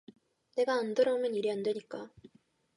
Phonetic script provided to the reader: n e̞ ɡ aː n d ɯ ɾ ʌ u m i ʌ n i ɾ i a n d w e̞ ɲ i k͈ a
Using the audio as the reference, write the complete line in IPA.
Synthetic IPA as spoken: n e̞ ɡ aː n d ɯ ɾ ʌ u m j ʌ n i ɾ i a n d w e̞ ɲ i k͈ a

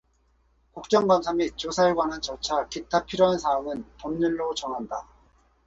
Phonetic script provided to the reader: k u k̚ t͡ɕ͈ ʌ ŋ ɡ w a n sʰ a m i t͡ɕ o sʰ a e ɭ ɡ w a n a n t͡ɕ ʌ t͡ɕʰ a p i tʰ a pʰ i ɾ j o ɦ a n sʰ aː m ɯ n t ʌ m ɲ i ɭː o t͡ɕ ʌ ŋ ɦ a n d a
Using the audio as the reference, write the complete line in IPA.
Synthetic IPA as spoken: k u k̚ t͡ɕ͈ ʌ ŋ ɡ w a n sʰ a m i t͡ɕ o sʰ a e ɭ ɡ w a n a n t͡ɕ ʌ t͡ɕʰ a k i tʰ a pʰ i ɾ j o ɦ a n sʰ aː m ɯ n t ʌ m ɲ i ɭː o t͡ɕ ʌ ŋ ɦ a n d a

